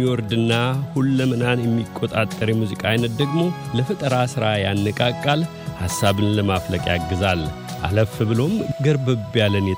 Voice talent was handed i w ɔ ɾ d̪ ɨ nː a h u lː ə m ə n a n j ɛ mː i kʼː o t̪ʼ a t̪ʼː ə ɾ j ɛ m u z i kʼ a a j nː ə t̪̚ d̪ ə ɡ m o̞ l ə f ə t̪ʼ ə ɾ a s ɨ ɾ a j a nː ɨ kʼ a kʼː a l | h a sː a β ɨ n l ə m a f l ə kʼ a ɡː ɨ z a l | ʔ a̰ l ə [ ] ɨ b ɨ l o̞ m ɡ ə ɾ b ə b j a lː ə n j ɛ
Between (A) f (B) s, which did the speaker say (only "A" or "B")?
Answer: A